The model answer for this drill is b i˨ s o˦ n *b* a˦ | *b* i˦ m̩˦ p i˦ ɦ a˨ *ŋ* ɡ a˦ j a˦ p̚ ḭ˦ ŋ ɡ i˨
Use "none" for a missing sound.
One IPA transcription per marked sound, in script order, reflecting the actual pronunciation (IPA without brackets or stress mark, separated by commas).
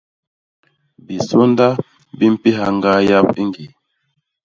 d, b, ŋ